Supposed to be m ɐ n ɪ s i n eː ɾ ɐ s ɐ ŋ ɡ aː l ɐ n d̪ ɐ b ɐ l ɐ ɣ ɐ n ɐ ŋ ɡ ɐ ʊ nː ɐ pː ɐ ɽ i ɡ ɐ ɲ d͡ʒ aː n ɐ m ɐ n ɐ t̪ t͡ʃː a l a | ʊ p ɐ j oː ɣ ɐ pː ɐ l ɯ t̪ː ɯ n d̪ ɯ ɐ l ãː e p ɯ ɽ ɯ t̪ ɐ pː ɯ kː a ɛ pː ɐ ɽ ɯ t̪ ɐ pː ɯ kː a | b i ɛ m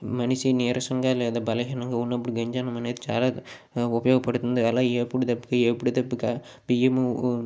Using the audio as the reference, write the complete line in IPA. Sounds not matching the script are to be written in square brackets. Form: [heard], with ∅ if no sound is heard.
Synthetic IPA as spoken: m ɐ n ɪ s i n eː ɾ ɐ s ɐ ŋ ɡ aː l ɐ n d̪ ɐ b ɐ l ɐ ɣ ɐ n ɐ ŋ ɡ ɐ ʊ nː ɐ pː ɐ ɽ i ɡ ɐ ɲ d͡ʒ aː n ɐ m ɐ n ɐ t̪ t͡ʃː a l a | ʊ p ɐ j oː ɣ ɐ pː ɐ [ɽ] ɯ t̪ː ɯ n d̪ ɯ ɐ l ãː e p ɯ ɽ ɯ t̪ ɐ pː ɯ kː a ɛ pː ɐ ɽ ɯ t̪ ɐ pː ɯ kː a | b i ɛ m